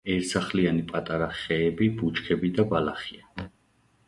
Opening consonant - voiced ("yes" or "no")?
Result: yes